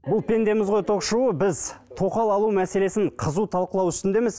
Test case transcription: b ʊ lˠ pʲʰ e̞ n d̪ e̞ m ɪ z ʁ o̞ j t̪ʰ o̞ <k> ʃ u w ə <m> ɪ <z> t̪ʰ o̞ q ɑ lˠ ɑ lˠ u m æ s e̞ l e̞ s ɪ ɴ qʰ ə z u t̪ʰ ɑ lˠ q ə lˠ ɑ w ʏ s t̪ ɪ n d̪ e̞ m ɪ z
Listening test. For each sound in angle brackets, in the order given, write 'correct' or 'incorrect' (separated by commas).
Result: incorrect, incorrect, correct